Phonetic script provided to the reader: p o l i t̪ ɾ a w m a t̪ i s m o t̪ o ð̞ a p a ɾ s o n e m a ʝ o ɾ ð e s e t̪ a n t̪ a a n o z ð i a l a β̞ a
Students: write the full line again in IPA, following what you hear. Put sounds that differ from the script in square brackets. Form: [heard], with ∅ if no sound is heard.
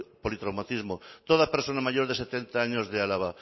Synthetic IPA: p o l i t̪ ɾ a w m a t̪ i [z] m o t̪ o ð̞ a p [e] ɾ s o n [a] m a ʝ o ɾ ð e s e t̪ [e] n t̪ a a [ɲ] o z ð [e] a l a β̞ a